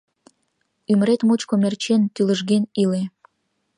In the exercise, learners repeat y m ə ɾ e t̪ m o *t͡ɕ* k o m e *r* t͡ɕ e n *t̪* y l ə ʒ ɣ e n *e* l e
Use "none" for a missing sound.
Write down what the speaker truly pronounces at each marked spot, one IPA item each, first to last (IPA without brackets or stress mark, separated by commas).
t͡ɕ, r, t̪, i